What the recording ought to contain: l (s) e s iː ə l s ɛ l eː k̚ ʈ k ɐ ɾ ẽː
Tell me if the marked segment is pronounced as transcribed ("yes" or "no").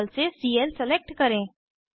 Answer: yes